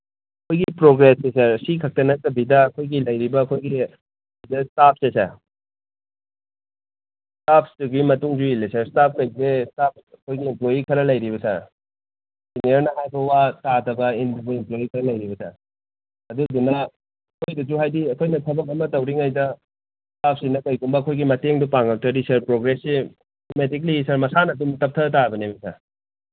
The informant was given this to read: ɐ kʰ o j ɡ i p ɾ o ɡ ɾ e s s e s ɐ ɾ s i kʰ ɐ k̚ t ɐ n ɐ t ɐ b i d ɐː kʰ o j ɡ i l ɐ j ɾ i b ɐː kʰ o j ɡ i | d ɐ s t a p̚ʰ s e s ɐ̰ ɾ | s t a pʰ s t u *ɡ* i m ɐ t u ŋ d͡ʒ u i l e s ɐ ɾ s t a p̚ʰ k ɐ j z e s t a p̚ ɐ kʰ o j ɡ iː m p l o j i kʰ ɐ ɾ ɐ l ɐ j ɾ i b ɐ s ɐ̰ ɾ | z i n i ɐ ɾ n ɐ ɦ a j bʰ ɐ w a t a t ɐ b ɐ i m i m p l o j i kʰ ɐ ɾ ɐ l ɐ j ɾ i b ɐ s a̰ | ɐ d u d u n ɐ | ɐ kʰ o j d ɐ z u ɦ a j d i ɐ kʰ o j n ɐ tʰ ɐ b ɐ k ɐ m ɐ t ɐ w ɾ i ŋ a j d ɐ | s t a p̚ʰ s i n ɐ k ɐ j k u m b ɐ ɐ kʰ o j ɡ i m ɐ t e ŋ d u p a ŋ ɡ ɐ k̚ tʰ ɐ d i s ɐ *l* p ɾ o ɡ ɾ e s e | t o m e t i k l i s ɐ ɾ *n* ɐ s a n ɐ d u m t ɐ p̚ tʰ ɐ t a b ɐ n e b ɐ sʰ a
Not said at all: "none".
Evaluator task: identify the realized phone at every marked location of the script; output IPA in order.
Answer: ɡ, ɾ, m

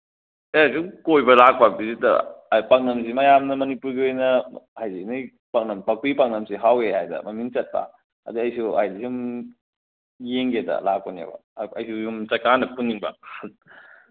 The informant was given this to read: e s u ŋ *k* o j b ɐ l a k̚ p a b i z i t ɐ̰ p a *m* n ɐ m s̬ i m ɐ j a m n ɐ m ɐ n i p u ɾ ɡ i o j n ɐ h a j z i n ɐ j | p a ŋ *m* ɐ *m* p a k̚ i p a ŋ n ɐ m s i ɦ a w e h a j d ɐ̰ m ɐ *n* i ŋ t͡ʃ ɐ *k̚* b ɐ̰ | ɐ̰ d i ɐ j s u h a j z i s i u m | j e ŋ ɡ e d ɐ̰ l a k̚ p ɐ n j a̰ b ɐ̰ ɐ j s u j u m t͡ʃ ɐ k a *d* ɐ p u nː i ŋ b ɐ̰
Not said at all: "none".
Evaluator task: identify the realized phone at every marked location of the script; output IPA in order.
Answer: k, ŋ, n, m, m, t̚, n

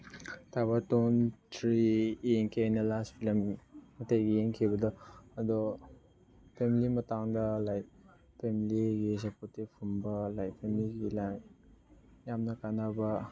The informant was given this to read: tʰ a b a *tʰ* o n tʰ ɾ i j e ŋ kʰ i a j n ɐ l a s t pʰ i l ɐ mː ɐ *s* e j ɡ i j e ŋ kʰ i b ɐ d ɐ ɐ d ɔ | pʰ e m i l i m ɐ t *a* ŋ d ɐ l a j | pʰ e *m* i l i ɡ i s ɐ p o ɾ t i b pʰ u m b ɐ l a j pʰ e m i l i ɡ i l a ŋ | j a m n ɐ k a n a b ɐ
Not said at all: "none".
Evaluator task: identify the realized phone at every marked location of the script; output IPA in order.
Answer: t, t, a, m

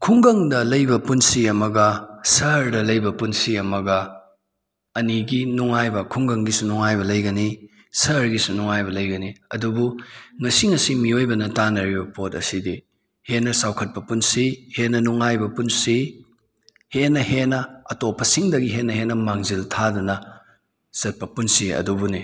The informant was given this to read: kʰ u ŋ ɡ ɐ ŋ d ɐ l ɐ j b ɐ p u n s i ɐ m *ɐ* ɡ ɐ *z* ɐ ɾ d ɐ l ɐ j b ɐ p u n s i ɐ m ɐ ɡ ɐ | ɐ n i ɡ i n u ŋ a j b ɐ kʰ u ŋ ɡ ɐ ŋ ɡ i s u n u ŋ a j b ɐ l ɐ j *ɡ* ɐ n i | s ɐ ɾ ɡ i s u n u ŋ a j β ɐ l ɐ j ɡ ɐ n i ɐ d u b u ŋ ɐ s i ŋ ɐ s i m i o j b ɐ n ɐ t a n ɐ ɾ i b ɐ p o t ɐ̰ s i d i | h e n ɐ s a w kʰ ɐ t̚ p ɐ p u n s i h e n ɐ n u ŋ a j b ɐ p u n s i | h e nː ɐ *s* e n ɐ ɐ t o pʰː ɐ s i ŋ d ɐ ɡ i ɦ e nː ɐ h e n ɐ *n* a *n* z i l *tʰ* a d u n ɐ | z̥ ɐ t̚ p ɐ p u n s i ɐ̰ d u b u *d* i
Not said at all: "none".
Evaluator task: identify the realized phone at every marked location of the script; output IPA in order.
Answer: ɐ, s, ɡ, h, m, ŋ, tʰ, n

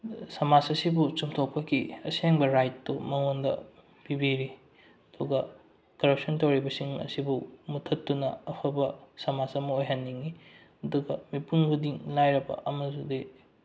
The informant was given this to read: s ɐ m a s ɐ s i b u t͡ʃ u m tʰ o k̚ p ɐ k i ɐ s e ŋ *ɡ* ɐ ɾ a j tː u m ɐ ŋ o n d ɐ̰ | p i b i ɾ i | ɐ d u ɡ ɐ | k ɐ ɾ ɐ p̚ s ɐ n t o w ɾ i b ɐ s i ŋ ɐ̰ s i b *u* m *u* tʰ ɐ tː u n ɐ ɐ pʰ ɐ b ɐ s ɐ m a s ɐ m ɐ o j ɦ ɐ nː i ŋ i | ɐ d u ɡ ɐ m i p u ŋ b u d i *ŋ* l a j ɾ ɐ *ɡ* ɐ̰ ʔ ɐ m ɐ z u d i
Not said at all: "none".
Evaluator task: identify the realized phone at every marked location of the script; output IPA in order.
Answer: b, u, u, ŋ, b

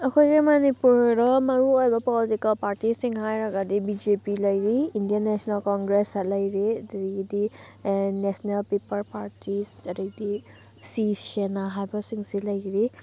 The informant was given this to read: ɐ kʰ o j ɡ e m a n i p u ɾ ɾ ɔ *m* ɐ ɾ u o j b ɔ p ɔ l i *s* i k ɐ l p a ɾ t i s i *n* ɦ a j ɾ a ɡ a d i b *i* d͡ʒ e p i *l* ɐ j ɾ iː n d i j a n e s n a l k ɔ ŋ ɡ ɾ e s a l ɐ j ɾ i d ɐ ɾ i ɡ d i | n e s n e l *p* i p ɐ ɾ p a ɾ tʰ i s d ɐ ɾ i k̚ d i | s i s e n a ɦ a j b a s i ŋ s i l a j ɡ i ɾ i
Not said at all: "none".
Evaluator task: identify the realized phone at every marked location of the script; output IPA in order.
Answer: m, t, ŋ, i, l, p

